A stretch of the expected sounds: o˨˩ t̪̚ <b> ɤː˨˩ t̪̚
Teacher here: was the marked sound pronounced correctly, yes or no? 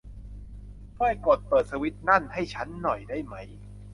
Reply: no